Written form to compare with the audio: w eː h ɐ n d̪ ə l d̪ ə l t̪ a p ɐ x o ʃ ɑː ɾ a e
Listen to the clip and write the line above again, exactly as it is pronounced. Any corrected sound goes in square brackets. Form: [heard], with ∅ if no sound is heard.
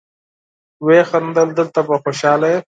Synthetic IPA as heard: w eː [x] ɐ n d̪ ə l d̪ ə l t̪ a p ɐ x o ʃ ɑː [l] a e